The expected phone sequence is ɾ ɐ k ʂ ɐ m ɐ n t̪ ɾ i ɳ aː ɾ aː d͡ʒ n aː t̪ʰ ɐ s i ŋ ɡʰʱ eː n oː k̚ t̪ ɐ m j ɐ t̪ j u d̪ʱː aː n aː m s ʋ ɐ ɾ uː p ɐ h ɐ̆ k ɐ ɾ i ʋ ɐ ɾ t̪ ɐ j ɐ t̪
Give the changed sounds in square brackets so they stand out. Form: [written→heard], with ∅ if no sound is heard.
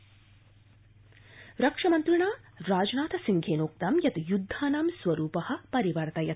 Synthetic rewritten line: ɾ ɐ k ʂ ɐ m ɐ n t̪ ɾ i ɳ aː ɾ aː d͡ʒ n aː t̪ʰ ɐ s i ŋ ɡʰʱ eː n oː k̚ t̪ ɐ m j ɐ t̪ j u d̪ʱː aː n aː m s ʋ ɐ ɾ uː p ɐ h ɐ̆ [k→p] ɐ ɾ i ʋ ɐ ɾ t̪ ɐ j ɐ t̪